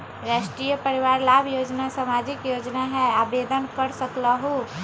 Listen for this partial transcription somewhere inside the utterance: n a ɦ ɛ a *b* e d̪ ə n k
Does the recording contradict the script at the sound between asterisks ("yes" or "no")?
no